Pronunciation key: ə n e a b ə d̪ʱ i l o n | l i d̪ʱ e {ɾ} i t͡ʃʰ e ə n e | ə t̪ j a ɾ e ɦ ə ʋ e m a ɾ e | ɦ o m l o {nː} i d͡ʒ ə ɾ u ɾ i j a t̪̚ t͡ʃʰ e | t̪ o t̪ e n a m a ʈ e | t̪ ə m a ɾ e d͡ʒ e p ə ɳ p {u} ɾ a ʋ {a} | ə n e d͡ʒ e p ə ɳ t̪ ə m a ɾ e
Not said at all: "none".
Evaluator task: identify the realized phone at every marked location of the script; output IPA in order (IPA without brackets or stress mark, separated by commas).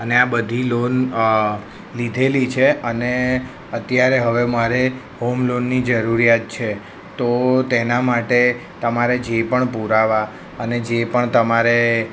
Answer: l, nː, u, a